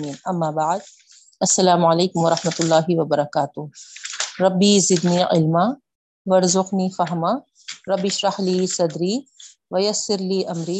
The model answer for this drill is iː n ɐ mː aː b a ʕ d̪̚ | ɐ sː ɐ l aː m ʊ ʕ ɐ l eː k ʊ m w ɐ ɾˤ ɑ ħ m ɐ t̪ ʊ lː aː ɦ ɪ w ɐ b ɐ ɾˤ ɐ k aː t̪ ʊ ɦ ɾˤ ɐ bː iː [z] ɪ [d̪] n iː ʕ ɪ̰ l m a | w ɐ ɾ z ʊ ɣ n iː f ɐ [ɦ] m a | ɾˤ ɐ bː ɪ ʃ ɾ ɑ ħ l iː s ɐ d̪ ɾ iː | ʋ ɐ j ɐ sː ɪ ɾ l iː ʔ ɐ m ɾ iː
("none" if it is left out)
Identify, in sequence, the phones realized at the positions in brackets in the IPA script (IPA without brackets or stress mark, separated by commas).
z, d̪, ɦ